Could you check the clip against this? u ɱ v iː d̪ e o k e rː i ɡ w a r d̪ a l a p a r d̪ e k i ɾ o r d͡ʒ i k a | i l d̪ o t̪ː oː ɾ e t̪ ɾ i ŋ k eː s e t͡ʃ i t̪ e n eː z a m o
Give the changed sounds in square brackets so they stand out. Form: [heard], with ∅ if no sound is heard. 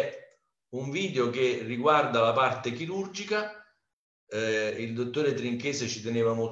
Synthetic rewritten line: u ɱ v iː d̪ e o k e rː i ɡ w a r d̪ a l a p a r [t̪] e k i ɾ [u] r d͡ʒ i k a | i l d̪ o t̪ː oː ɾ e t̪ ɾ i ŋ k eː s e t͡ʃ i t̪ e n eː [v] a m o

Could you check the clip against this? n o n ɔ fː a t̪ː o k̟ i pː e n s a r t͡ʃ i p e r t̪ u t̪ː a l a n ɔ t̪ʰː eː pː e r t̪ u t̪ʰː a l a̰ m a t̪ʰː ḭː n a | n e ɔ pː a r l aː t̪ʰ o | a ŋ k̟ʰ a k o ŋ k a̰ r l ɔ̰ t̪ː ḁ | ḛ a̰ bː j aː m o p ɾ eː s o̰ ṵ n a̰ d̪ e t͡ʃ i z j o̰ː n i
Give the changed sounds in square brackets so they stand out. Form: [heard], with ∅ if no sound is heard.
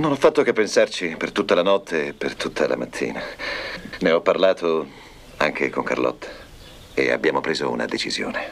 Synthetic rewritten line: n o n ɔ fː a t̪ː o k̟ [e] pː e n s a r t͡ʃ i p e r t̪ u t̪ː a l a n ɔ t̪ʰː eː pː e r t̪ u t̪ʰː a l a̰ m a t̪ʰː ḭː n a | n e ɔ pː a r l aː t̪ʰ o | a ŋ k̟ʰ [e] k o ŋ k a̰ r l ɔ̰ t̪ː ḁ | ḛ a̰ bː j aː m o p ɾ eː [z] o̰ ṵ n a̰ d̪ e t͡ʃ i z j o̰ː n [e]

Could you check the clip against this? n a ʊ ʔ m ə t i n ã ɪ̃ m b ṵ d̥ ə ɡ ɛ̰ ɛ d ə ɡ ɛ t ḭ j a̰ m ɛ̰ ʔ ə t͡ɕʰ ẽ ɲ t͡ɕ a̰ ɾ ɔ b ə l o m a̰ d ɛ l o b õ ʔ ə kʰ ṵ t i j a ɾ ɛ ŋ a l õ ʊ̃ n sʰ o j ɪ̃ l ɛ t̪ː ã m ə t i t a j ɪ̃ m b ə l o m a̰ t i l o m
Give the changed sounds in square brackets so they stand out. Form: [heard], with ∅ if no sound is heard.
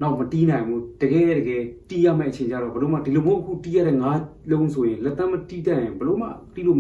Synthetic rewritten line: n a ʊ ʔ m ə t i n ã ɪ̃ m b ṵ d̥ ə ɡ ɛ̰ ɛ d ə ɡ ɛ t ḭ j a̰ m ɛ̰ ʔ ə t͡ɕʰ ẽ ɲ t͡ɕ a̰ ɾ ɔ b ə l o m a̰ d [i] l o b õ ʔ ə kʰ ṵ t i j a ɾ ɛ ŋ a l õ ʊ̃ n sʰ o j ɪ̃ l ɛ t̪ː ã m ə t i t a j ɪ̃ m b ə l o m a̰ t i l o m

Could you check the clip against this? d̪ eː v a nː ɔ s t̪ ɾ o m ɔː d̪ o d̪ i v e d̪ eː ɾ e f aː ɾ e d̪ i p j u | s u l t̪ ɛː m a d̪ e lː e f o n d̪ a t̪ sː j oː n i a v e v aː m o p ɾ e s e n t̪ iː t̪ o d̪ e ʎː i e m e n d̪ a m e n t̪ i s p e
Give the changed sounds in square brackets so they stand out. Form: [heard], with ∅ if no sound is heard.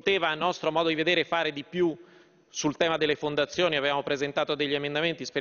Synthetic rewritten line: [t̪] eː v a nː ɔ s t̪ ɾ o m ɔː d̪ o d̪ i v e d̪ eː ɾ e f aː ɾ e d̪ i p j u | s u l t̪ ɛː m a d̪ e lː e f o n d̪ a t̪ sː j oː n i a v e v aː m o p ɾ e [z] e n t̪ [aː] t̪ o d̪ e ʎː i e m e n d̪ a m e n t̪ i s p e

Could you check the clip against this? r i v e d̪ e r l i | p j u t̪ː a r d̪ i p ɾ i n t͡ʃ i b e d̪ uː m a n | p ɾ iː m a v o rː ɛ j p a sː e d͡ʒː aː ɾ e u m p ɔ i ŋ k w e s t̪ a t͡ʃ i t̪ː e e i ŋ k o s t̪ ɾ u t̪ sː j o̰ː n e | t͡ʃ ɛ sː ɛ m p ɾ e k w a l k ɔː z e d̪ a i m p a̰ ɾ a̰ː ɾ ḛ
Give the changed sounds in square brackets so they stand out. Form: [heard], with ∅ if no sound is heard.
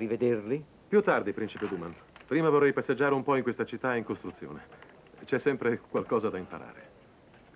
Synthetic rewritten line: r i v e d̪ e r l i | p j u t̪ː a r d̪ i p ɾ i n t͡ʃ i [p] e d̪ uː m a n | p ɾ iː m a v o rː ɛ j p a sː e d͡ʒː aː ɾ e u m p ɔ i ŋ k w e s t̪ a t͡ʃ i t̪ː [a] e i ŋ k o s t̪ ɾ u t̪ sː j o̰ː n e | t͡ʃ ɛ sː ɛ m p ɾ e k w a l k ɔː z [a] d̪ a i m p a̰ ɾ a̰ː ɾ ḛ

